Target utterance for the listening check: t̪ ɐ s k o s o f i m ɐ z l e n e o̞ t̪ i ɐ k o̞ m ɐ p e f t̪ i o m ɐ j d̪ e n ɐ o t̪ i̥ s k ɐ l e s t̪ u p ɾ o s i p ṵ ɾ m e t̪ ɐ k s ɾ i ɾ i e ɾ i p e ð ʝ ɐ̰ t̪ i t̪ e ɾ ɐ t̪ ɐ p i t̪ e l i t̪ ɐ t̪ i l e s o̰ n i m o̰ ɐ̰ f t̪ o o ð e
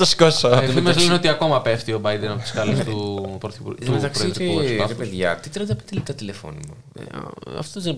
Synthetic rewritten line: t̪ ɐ s k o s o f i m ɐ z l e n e o̞ t̪ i ɐ k o̞ m ɐ p e f t̪ i o b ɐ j d̪ e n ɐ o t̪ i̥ s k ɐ l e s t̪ u p ɾ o θ i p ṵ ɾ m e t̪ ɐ k s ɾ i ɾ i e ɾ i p e ð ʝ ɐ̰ t̪ i t̪ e ɾ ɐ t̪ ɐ p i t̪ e l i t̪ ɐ t̪ i l e f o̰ n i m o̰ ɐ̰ f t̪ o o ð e